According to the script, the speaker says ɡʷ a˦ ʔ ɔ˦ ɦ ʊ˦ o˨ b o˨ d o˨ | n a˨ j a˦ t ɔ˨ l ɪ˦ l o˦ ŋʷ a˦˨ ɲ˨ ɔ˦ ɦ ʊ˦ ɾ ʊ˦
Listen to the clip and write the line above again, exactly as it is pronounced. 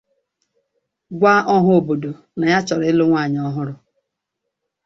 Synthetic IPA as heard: ɡʷ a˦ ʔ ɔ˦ ɦ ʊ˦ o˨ b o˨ d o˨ | n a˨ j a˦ t͡ʃ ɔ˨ ɾ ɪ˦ l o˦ ŋʷ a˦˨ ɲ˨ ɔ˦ ɦ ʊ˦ ɾ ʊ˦